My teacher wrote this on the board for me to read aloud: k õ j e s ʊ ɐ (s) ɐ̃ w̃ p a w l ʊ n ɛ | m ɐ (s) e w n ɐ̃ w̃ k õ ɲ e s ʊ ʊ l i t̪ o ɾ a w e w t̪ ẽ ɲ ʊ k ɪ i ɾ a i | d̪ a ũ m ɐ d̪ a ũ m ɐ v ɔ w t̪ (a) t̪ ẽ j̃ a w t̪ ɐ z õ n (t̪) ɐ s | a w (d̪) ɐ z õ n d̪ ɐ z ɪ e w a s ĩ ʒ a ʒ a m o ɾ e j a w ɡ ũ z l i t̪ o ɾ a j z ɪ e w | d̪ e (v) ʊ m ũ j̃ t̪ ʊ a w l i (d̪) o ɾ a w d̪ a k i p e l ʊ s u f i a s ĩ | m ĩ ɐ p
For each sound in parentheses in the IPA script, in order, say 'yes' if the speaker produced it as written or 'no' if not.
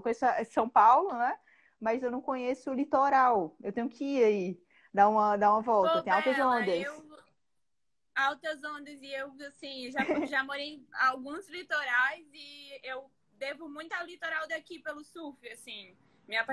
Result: yes, no, no, no, no, yes, no

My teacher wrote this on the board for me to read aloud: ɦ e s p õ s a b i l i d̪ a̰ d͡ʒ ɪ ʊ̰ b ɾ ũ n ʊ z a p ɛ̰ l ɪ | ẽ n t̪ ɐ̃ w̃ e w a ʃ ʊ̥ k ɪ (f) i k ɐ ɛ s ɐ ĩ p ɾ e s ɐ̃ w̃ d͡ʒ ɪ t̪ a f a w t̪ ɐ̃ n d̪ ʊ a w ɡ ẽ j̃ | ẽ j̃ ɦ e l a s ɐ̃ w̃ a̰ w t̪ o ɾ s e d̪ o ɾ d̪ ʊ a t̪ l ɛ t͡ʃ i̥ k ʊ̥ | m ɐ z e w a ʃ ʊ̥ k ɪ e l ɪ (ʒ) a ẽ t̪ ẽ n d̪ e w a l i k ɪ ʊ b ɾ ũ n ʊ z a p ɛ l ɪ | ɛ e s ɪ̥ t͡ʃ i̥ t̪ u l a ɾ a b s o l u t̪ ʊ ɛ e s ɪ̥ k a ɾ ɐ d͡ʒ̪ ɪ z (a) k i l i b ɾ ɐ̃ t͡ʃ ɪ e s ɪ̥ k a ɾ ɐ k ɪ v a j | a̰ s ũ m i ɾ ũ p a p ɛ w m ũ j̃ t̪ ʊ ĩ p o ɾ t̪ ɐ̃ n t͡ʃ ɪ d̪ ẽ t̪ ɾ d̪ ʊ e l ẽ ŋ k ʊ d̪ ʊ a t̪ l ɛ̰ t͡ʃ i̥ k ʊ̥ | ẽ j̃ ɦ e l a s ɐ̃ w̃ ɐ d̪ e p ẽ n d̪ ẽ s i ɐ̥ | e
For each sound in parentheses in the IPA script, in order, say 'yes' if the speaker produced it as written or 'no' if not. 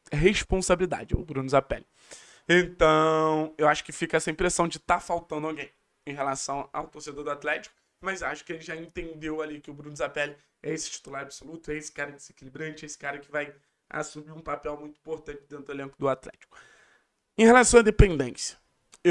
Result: yes, yes, no

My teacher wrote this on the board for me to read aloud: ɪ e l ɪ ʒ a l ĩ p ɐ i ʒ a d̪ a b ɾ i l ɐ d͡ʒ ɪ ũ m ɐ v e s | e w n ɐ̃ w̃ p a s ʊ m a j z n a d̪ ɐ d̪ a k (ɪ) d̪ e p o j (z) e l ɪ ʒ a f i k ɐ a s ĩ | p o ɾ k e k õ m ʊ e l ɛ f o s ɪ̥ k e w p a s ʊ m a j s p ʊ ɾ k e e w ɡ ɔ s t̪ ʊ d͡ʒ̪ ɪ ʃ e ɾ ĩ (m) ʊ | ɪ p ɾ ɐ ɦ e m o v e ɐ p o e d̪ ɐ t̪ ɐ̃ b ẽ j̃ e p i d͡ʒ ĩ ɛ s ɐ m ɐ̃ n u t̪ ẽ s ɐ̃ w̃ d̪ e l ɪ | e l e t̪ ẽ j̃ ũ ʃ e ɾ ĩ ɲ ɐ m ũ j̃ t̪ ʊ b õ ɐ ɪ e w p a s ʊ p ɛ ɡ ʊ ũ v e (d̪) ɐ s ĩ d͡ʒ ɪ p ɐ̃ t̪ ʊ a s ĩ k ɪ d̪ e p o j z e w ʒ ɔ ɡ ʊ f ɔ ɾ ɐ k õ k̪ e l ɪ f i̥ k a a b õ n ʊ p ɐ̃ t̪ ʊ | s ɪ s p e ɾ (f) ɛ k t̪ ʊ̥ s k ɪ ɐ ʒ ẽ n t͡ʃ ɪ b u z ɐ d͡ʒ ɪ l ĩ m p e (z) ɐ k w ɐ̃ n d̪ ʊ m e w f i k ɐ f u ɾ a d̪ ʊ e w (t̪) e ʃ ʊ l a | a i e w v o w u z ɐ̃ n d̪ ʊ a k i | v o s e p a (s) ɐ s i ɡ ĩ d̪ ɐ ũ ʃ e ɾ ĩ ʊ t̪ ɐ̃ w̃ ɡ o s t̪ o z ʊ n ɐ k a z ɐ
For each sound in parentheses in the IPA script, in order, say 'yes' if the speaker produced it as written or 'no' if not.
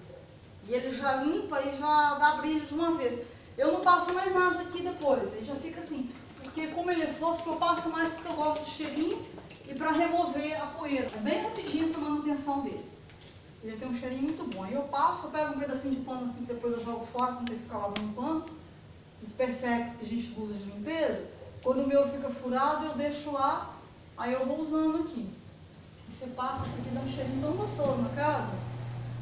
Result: no, no, no, yes, yes, yes, no, yes

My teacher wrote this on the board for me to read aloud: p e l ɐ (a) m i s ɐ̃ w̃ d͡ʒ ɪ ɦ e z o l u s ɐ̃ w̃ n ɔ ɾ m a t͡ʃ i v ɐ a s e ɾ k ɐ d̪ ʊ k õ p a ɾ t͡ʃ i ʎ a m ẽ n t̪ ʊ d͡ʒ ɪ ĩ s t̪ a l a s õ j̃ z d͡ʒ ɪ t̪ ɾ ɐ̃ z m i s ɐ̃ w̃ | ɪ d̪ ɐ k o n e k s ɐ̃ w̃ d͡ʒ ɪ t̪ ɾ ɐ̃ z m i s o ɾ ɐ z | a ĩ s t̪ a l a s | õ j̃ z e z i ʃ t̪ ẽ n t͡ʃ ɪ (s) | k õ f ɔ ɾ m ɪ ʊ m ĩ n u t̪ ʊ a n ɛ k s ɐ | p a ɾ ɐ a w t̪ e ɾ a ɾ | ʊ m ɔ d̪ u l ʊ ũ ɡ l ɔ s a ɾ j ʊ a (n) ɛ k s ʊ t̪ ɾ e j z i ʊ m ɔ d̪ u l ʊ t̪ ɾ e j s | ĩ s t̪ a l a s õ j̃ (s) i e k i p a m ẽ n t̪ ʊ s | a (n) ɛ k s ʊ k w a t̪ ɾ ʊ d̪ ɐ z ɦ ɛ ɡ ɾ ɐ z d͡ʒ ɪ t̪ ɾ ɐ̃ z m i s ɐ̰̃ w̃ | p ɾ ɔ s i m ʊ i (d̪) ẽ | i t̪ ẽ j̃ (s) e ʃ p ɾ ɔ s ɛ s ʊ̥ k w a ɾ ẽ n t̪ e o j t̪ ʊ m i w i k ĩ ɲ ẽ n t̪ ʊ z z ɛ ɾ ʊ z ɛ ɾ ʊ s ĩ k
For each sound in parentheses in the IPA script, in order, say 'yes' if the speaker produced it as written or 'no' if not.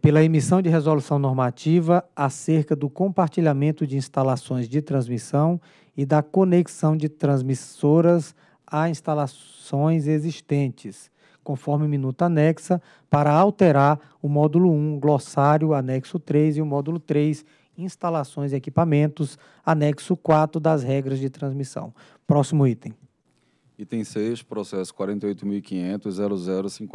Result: no, yes, yes, no, yes, no, yes

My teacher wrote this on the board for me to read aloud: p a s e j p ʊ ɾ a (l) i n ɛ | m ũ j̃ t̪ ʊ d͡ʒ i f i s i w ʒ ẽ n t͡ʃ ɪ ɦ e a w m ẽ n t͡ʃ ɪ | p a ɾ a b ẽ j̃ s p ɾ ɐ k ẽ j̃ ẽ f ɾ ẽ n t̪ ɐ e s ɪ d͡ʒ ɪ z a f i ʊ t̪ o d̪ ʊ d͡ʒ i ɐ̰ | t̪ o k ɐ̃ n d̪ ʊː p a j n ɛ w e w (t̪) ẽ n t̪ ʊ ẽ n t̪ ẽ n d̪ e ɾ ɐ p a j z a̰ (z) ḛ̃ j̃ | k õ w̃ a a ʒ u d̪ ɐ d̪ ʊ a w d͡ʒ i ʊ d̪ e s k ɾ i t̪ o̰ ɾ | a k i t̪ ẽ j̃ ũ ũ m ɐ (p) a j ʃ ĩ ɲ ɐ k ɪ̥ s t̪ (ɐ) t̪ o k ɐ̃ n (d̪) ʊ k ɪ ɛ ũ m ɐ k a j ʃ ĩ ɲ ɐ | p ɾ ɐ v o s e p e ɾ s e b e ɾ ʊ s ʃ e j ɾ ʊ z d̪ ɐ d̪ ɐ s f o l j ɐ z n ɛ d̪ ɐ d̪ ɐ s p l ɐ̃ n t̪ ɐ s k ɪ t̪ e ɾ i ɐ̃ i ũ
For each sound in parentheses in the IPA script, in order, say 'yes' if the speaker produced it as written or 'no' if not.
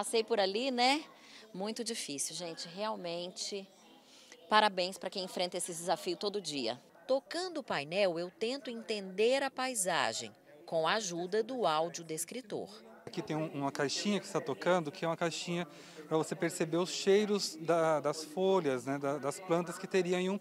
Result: yes, yes, no, no, no, yes

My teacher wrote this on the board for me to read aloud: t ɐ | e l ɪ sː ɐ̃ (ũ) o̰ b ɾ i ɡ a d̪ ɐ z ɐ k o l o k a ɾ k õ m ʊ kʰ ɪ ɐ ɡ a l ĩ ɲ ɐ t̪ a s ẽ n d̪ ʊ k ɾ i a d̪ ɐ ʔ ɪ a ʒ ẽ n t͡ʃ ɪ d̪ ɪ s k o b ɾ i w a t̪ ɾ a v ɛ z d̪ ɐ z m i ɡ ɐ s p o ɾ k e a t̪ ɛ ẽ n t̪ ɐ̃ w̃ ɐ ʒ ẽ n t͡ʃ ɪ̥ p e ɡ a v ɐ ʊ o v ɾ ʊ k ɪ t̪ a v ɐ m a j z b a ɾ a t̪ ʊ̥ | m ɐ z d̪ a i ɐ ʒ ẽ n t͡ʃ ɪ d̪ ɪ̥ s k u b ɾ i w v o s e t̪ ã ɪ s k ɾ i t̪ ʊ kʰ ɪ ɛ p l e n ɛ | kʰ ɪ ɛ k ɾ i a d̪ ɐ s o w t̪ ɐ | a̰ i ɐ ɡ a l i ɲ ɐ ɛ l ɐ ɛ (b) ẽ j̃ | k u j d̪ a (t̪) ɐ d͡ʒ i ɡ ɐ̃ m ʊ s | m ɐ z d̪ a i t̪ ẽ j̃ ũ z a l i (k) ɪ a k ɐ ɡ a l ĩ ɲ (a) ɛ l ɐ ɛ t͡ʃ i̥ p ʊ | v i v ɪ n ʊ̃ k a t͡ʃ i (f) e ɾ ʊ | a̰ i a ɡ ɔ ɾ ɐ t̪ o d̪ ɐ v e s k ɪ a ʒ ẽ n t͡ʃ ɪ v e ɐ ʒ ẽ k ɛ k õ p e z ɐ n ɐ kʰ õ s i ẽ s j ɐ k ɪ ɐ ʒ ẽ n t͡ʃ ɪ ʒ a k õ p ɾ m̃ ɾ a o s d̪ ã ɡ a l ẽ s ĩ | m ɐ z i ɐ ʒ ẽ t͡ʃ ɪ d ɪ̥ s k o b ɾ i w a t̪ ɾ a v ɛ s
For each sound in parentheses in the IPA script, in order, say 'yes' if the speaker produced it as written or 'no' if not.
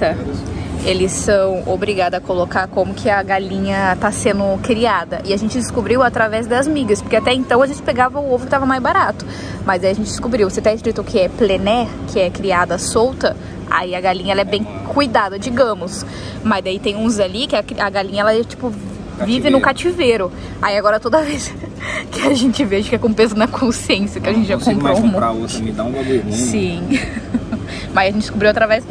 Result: no, yes, no, yes, no, no

